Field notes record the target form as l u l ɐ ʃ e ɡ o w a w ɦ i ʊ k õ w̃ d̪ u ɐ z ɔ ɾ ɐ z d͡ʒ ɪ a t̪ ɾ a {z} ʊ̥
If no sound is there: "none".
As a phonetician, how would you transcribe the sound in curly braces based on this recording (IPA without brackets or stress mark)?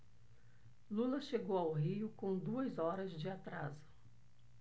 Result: z